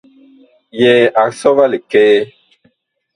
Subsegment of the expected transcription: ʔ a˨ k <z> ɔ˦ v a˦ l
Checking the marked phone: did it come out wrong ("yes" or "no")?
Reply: yes